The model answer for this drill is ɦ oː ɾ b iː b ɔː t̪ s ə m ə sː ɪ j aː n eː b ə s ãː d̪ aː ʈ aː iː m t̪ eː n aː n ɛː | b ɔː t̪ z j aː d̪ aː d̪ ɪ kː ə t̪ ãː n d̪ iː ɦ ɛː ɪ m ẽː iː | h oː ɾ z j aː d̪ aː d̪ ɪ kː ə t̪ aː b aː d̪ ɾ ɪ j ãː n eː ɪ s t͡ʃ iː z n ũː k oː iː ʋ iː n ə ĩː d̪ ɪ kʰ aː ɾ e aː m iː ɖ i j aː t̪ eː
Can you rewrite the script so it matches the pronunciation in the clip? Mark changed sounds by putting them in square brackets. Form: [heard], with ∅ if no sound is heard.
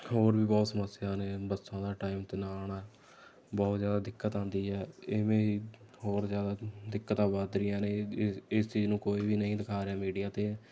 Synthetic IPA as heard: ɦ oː ɾ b iː b ɔː t̪ s ə m ə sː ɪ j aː n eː b ə s ãː d̪ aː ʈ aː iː m t̪ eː n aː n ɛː | b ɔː t̪ z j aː d̪ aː d̪ ɪ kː ə t̪ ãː n d̪ iː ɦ ɛː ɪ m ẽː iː | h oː ɾ z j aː d̪ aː d̪ ɪ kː ə t̪ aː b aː d̪ ɾ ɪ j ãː n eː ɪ s t͡ʃ iː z n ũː k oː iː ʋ iː n ə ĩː d̪ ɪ kʰ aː ɾ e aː m iː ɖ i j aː t̪ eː